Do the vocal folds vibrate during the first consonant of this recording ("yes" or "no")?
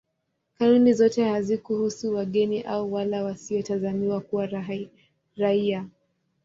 no